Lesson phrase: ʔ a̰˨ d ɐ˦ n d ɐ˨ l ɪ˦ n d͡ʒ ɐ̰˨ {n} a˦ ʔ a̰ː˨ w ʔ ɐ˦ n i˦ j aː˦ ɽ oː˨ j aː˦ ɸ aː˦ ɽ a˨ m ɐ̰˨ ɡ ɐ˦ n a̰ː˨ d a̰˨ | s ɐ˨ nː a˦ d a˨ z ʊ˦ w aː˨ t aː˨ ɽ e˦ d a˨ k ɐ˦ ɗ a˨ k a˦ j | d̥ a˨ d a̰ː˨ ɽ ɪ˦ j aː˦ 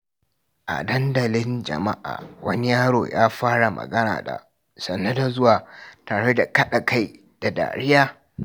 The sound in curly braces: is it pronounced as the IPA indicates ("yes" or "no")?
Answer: no